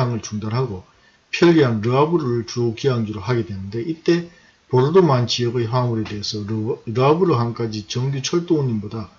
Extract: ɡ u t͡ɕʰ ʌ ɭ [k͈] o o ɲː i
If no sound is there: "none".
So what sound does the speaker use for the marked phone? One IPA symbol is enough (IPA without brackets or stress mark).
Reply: t͈